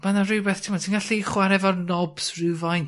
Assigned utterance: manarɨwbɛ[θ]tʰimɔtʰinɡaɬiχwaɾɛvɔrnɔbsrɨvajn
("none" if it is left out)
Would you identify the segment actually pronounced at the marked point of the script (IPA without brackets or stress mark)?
θ